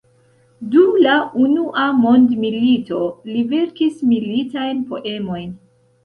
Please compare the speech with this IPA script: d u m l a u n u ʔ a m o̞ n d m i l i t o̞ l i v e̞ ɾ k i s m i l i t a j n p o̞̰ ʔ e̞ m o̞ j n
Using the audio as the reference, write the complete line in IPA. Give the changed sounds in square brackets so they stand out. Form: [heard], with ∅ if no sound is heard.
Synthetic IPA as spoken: d u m l a u n u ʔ a m o̞ n d m i l i t o̞ l i v e̞ ɾ k i s m i l i t a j n p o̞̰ ʔ e̞ m o̞ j n